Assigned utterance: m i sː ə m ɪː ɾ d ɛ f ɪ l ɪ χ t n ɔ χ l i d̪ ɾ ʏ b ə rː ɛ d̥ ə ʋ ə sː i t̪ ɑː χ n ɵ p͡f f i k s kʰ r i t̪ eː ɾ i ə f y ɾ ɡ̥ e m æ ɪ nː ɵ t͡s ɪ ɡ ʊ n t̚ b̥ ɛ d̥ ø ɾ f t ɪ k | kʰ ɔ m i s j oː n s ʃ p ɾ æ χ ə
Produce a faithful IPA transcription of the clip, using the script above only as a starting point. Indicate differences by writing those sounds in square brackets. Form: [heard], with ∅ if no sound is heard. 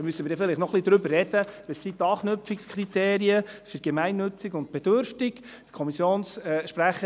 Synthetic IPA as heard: m [y] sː ə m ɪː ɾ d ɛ f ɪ l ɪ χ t n ɔ χ l i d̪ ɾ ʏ b ə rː ɛ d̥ ə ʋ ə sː i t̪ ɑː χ n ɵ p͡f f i k s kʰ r i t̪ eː ɾ i ə f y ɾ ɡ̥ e m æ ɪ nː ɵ t͡s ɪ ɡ ʊ n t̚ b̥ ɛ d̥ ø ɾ f t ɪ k | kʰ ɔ m i s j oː n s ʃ p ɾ æ χ ə